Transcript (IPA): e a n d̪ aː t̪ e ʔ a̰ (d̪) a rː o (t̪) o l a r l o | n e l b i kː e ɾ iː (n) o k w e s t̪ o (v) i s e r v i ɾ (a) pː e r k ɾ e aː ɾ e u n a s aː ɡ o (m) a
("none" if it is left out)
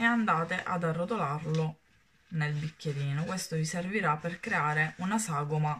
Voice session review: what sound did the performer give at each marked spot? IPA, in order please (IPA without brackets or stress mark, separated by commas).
d̪, t̪, n, v, a, m